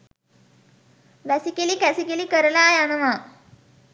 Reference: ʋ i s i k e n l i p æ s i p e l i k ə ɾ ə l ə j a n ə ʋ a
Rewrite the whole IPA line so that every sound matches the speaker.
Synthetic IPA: ʋ æ s i k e l i k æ s i k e l i k ə ɾ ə l a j a n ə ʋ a